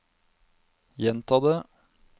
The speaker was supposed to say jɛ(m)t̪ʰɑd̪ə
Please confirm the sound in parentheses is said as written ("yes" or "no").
no